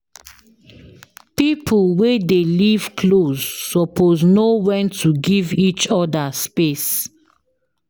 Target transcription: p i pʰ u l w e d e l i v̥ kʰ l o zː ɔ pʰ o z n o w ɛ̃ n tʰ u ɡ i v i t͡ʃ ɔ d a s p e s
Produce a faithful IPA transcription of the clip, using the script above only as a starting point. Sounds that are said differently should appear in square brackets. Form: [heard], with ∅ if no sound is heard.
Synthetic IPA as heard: p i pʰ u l w e d e l i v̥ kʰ l o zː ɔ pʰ o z n o w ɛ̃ n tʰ u ɡ i v i t͡ʃ ɔ d a s p e s